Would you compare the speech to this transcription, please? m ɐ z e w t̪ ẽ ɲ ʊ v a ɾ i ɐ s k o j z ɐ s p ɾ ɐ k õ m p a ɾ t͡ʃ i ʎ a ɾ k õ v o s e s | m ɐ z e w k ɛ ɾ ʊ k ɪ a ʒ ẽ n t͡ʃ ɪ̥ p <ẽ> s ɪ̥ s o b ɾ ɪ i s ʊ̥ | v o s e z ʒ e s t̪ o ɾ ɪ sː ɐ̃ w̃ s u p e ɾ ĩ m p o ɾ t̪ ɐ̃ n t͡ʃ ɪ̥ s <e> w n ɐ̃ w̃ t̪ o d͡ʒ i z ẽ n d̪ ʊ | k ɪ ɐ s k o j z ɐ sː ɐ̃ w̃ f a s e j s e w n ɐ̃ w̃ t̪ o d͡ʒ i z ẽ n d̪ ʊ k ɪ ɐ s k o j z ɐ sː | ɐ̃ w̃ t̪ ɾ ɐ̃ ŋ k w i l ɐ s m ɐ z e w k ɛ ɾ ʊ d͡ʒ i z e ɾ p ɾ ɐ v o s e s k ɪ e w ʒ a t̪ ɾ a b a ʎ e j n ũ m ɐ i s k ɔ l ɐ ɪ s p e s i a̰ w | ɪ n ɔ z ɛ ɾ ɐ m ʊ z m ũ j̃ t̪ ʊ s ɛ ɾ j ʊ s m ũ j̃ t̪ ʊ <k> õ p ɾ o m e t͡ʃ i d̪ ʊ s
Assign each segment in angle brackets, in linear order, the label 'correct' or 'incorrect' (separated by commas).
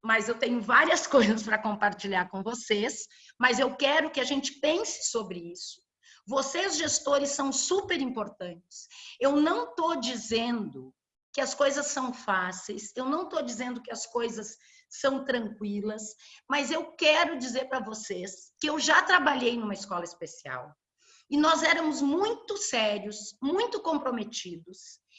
correct, correct, correct